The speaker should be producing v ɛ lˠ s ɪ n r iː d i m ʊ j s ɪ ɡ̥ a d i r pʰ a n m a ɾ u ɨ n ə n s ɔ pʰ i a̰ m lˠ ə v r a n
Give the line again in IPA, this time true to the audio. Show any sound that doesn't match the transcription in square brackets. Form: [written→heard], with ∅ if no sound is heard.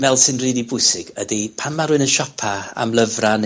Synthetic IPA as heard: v ɛ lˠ s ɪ n r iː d i [m→b] ʊ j s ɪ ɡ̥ [a→ə] d i [r→∅] pʰ a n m a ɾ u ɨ n ə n [s→ʃ] ɔ pʰ [i→a] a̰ m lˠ ə v r a n

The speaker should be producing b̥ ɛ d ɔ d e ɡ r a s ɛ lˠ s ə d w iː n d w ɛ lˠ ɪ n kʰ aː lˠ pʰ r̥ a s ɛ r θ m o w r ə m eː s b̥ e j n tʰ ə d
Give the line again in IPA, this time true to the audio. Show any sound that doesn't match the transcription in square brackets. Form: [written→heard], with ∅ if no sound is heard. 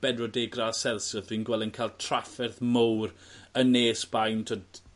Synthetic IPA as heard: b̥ ɛ d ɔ d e ɡ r a s ɛ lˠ s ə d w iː n [d→ɡ] w ɛ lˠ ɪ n kʰ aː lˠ [pʰ→tʰ] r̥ a [s→f] ɛ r θ m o w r ə [m→n] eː s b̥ [e→a] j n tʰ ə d

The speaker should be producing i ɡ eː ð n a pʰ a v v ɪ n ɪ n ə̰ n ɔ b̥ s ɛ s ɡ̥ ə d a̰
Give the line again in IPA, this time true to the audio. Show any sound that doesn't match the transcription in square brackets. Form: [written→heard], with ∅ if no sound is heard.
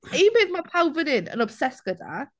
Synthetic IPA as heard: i [ɡ→b] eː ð [n→m] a pʰ a [v→w] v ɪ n ɪ n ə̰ n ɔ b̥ s ɛ s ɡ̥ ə d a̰

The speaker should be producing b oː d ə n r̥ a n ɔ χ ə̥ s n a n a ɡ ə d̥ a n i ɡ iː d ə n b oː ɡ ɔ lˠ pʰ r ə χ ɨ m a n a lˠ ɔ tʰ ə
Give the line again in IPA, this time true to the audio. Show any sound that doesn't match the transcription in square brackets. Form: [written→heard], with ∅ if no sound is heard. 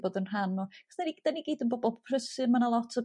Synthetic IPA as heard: b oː d ə n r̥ a n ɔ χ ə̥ s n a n [a→i] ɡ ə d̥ a n i ɡ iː d ə n b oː [ɡ→b] ɔ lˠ pʰ r ə [χ→s] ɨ m a n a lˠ ɔ tʰ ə

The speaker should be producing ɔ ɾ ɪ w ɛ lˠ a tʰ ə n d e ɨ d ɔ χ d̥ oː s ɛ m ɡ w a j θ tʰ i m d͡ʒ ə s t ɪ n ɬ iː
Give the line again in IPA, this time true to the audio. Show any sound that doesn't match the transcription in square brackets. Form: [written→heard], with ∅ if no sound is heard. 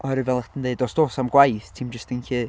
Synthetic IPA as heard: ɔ ɾ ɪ [w→v] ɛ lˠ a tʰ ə n d e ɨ d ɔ [χ→s] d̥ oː s [ɛ→a] m ɡ w a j θ tʰ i m d͡ʒ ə s t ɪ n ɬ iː

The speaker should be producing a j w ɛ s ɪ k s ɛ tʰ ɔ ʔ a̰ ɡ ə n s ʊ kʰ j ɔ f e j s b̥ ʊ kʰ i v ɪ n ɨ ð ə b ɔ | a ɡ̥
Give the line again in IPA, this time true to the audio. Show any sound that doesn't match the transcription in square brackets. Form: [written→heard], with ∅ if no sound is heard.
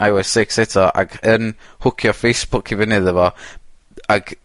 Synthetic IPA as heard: a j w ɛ s ɪ k s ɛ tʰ ɔ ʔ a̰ ɡ ə n [s→h] ʊ kʰ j ɔ f e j s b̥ ʊ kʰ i v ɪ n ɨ ð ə [b→v] ɔ | a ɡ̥

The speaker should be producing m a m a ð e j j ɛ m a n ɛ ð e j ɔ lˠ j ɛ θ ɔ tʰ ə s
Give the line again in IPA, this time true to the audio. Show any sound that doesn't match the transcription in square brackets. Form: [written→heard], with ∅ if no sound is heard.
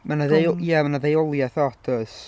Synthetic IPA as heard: m a [m→n] a ð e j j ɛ m a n [ɛ→a] ð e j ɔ lˠ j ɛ θ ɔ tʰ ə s

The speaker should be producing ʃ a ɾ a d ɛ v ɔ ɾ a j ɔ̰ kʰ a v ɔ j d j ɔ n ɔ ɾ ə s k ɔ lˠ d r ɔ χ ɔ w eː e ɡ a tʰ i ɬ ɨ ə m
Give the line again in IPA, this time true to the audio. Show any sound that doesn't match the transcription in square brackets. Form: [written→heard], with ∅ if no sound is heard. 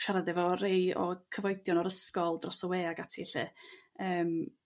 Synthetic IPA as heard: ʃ a ɾ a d ɛ v ɔ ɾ [a→e] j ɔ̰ kʰ [a→ə] v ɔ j d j ɔ n ɔ ɾ ə s k ɔ lˠ d r ɔ [χ→s] ɔ w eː [e→a] ɡ a tʰ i ɬ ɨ [ə→əː] m

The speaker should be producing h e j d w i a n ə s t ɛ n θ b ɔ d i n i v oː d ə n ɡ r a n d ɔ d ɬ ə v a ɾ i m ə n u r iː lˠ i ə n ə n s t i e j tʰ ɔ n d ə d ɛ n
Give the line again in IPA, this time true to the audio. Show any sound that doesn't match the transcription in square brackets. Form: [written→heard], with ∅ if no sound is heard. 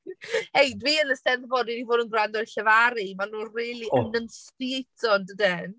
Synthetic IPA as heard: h e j d w i [a→ə] n ə s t ɛ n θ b ɔ d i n i v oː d ə n ɡ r a n d ɔ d ɬ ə v a ɾ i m [ə→a] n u r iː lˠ i ə n ə n s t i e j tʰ ɔ n d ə d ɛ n

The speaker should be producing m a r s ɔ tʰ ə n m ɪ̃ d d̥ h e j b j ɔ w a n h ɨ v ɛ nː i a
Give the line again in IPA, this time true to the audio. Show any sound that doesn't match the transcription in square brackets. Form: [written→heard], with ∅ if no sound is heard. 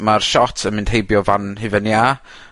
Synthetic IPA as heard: m a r [s→ʃ] ɔ tʰ ə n m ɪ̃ [d→n] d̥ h e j b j ɔ [w→v] a n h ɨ v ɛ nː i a

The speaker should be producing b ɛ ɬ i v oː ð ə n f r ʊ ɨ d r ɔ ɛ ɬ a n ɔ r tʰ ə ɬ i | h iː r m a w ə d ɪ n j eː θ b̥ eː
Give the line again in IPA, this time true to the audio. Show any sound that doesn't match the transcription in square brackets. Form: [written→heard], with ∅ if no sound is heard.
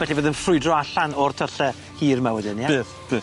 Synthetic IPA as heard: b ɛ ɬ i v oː ð ə n f r ʊ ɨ d r ɔ [ɛ→a] ɬ a n ɔ r tʰ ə ɬ [i→ɛ] | h iː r m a w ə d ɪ n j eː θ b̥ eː

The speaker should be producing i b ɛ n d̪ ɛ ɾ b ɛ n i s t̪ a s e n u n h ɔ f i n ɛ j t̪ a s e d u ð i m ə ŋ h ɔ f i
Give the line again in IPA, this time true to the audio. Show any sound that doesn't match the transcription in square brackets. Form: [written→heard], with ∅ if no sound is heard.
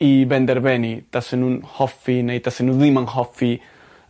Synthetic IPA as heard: i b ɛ n d̪ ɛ ɾ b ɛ n i [s→∅] t̪ a s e n u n h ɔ f i n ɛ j t̪ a s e [d→n] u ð i m [ə→a] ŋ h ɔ f i

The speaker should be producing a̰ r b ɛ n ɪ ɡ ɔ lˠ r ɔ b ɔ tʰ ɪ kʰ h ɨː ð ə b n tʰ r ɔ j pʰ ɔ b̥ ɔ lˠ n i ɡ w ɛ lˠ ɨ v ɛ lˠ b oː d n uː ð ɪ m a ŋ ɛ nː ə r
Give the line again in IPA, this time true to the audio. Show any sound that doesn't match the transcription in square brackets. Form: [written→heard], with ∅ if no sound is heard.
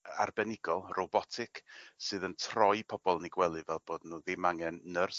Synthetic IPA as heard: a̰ r b ɛ n ɪ ɡ ɔ lˠ r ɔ b ɔ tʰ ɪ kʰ [h→s] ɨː ð ə [b→∅] n tʰ r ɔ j pʰ ɔ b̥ ɔ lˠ n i ɡ w ɛ lˠ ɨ v ɛ lˠ b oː d n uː ð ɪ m a ŋ ɛ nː ə r

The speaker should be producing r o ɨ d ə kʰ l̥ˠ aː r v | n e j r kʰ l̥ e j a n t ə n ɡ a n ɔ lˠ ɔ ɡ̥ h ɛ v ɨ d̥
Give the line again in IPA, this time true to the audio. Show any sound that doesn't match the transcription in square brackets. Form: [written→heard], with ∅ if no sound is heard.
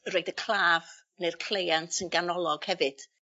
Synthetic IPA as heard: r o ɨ d ə kʰ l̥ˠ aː [r→∅] v | n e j r kʰ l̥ e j a n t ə n ɡ a n ɔ lˠ ɔ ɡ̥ h ɛ v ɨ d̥

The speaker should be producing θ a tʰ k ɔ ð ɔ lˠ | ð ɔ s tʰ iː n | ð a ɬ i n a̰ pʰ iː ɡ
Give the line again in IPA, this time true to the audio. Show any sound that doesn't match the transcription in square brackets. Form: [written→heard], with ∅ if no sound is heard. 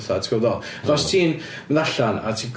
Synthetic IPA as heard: θ a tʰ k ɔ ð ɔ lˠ | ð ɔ s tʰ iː n | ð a ɬ [i→a] n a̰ [pʰ→tʰ] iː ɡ

